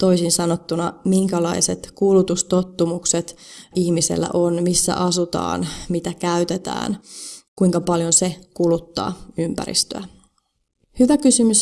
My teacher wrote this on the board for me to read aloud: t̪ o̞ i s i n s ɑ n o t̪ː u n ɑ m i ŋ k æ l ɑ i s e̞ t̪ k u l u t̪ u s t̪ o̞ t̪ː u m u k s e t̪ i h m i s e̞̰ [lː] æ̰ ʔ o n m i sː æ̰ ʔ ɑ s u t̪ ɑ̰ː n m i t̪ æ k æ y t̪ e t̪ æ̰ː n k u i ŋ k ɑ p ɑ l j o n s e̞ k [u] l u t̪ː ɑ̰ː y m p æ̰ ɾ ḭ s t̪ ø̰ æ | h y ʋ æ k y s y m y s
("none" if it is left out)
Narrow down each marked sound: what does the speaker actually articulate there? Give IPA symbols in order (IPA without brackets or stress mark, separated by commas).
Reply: lː, u